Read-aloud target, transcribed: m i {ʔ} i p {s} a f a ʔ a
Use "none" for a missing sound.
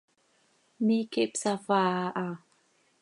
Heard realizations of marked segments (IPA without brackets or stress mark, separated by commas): k, s